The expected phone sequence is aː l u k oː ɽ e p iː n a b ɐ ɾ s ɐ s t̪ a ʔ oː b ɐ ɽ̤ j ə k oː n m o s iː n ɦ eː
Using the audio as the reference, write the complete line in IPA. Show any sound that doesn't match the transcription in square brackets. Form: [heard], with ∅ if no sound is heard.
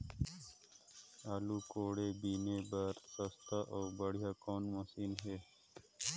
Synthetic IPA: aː l u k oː ɽ e [b] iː n [e] b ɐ ɾ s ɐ s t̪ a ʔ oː b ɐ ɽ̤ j [a] k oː n m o s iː n ɦ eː